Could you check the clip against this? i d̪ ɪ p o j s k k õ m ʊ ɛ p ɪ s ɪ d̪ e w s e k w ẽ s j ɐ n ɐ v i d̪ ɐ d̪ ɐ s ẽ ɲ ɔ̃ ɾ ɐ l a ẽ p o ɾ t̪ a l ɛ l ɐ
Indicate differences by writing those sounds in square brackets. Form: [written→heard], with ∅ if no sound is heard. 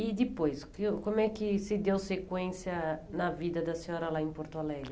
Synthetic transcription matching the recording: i d̪ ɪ p o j s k k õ m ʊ ɛ [p→k] ɪ s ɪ d̪ e w s e k w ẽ s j ɐ n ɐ v i d̪ ɐ d̪ ɐ s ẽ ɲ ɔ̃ ɾ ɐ l a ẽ p o ɾ t̪ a l ɛ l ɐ